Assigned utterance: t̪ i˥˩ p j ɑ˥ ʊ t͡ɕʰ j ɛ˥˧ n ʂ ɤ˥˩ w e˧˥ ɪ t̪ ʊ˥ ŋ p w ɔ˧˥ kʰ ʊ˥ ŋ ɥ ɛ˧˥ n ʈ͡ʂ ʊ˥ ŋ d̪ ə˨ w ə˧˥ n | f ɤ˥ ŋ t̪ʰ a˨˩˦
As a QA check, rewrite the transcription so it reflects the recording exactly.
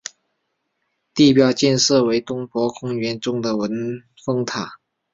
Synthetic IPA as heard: t̪ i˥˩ p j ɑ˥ ʊ t͡ɕ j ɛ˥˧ n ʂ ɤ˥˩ w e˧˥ ɪ t̪ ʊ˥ ŋ p w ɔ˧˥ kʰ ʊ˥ ŋ ɥ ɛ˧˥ n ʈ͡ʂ ʊ˥ ŋ d̪ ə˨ w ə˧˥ n | f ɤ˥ ŋ t̪ʰ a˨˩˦